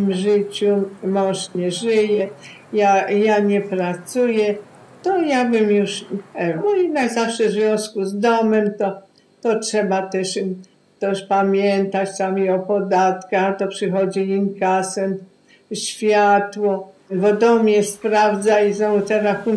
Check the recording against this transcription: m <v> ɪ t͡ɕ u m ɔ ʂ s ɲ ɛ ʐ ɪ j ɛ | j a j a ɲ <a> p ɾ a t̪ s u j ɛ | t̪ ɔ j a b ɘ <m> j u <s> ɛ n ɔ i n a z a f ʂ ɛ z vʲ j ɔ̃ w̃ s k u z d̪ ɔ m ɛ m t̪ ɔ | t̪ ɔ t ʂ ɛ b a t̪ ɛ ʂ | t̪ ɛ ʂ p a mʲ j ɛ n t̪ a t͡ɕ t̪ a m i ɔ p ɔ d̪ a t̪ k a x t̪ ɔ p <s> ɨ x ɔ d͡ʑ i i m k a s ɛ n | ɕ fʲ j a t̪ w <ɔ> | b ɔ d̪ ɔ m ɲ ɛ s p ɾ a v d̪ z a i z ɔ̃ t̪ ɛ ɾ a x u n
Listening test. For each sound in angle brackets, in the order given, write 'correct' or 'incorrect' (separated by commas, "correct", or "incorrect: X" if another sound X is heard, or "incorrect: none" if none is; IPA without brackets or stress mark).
incorrect: ʐ, incorrect: ɛ, correct, incorrect: ʂ, incorrect: ʂ, correct